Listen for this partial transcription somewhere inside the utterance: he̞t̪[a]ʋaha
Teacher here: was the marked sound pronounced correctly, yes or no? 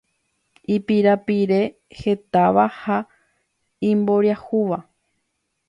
yes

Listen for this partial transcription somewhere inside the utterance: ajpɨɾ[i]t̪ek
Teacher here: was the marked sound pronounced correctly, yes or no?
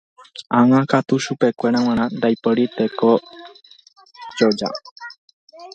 yes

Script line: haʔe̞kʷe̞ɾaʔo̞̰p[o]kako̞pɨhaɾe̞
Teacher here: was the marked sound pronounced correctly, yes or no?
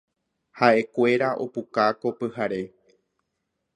no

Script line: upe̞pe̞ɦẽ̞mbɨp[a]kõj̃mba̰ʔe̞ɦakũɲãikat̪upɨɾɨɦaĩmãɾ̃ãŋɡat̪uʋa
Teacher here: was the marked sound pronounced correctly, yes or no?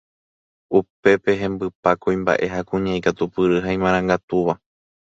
yes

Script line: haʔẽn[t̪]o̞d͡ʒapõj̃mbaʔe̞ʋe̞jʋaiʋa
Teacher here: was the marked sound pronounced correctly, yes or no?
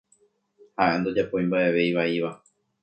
no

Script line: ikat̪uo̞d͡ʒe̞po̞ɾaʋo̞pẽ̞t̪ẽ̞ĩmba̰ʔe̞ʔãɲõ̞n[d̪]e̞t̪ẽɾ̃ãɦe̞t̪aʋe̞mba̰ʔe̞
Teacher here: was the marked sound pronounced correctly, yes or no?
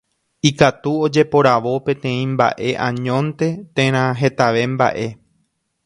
no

